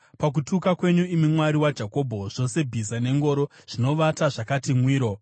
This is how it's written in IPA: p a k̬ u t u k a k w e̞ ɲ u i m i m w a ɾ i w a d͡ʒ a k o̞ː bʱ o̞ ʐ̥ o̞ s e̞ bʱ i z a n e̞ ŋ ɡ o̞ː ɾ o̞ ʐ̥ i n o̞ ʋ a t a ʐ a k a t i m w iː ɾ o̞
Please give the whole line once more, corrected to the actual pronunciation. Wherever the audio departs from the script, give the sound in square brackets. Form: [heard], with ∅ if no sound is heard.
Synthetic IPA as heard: p a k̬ u t u k a k w e̞ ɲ u i m i m w a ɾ i w a d͡ʒ a k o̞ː bʱ o̞ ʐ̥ o̞ s e̞ bʱ i z a n e̞ ŋ ɡ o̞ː ɾ o̞ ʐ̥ i n o̞ ʋ a t a ʐ a k a t i m w iː ɾ o̞